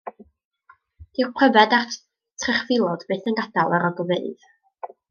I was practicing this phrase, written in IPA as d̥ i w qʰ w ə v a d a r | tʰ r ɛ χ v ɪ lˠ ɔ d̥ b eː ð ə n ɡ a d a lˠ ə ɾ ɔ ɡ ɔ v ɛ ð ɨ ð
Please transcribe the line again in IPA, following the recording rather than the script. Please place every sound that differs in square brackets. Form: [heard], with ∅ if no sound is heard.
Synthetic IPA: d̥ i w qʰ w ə v [ɛ] d a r | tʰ r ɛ χ v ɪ lˠ ɔ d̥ b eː [θ] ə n ɡ a d a lˠ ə ɾ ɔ ɡ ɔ v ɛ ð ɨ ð